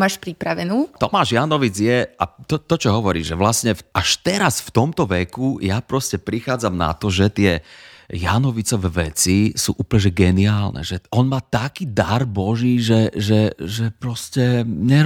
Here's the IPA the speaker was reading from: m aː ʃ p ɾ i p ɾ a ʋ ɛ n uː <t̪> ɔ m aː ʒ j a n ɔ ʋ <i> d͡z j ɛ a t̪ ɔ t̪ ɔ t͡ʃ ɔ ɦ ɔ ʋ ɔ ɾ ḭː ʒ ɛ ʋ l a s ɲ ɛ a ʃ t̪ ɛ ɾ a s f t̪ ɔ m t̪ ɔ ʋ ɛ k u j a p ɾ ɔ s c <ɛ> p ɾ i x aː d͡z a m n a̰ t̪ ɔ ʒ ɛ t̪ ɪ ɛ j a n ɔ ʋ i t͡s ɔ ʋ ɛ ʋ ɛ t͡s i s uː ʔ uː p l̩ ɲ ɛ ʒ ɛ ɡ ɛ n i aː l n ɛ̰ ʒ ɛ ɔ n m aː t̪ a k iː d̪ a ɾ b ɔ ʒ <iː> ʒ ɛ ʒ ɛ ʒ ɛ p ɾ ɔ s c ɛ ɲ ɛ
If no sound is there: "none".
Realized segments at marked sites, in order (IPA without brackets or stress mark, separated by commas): t̪, i, ɛ, iː